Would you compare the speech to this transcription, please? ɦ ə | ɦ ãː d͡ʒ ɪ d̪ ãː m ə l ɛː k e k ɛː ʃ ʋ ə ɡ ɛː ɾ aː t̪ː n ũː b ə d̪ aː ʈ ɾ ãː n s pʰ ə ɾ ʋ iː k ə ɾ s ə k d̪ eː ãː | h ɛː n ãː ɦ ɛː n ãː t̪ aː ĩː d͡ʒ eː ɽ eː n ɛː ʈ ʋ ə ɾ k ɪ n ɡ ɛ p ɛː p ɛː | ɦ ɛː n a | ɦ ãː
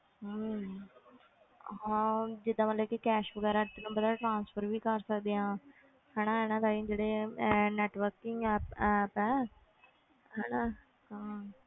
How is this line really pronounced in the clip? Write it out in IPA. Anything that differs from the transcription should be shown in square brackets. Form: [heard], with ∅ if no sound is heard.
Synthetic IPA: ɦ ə | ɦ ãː d͡ʒ ɪ d̪ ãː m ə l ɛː k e k ɛː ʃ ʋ ə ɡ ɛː ɾ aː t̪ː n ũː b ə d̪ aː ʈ ɾ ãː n s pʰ ə ɾ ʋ iː k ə ɾ s ə k d̪ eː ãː | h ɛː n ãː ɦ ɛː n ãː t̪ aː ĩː d͡ʒ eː ɽ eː n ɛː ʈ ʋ ə ɾ k ɪ [ŋ] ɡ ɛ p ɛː p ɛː | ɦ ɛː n a | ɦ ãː

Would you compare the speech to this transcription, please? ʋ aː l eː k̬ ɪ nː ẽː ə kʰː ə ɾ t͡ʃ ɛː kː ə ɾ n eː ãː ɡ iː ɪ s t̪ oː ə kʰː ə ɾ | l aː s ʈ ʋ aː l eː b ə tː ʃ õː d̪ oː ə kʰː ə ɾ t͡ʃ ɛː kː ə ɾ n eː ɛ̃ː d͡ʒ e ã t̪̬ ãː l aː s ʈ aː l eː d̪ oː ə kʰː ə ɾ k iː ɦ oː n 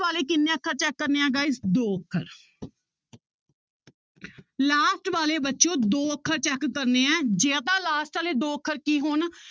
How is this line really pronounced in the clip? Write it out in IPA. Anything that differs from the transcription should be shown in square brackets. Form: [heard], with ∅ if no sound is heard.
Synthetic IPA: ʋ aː l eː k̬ ɪ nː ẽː ə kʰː ə ɾ t͡ʃ ɛː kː ə ɾ n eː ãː ɡ [aː] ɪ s [d̪] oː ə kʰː ə ɾ | l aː s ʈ ʋ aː l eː b ə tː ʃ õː d̪ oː ə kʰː ə ɾ t͡ʃ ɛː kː ə ɾ n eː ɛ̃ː d͡ʒ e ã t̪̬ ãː l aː s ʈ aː l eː d̪ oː ə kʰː ə ɾ k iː ɦ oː n

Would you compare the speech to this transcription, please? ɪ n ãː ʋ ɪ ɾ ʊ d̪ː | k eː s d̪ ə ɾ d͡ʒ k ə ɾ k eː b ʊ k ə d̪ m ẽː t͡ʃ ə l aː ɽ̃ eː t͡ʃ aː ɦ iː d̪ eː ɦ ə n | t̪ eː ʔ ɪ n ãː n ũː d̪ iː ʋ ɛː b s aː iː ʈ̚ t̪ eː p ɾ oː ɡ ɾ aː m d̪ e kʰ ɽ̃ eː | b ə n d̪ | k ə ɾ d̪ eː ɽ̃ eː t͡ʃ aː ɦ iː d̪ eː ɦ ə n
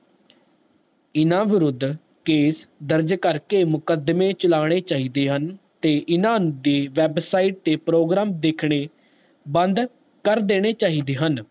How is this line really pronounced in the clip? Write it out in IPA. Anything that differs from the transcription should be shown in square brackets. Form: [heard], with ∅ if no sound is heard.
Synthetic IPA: ɪ n ãː ʋ ɪ ɾ ʊ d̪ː | k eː s d̪ ə ɾ d͡ʒ k ə ɾ k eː [m] ʊ k ə d̪ m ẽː t͡ʃ ə l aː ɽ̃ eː t͡ʃ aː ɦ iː d̪ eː ɦ ə n | t̪ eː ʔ ɪ n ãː n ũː d̪ iː ʋ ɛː b s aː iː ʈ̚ t̪ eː p ɾ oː ɡ ɾ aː m d̪ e kʰ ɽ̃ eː | b ə n d̪ | k ə ɾ d̪ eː ɽ̃ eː t͡ʃ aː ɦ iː d̪ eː ɦ ə n

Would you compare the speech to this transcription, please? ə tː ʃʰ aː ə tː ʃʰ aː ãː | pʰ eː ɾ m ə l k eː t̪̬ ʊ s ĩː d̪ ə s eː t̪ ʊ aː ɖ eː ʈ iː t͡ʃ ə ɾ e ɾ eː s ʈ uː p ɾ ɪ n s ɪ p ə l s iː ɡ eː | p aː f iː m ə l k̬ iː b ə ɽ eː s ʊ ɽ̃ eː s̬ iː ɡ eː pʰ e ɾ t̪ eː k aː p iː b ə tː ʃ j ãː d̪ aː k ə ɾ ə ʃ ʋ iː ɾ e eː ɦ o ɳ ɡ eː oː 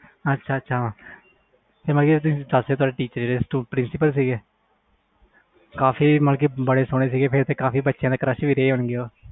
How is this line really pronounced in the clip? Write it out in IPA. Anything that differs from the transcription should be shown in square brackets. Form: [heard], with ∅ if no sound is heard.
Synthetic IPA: ə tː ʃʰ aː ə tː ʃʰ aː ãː | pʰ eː ɾ m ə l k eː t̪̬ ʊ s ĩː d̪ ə s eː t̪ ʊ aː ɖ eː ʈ iː t͡ʃ ə ɾ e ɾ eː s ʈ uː p ɾ ɪ n s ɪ p ə l s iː ɡ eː | [k] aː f iː m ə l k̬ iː b ə ɽ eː s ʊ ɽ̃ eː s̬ iː ɡ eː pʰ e ɾ t̪ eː k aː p iː b ə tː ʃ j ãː d̪ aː k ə ɾ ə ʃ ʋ iː ɾ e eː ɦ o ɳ ɡ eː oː

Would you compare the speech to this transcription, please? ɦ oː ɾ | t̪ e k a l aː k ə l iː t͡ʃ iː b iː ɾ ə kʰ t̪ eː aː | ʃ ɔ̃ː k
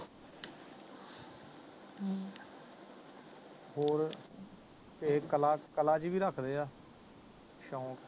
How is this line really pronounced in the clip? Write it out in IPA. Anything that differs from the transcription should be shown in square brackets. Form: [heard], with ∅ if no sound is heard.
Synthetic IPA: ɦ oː ɾ | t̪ e k [ə] l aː k ə l [aː] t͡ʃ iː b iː ɾ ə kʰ [d̪] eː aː | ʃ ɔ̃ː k

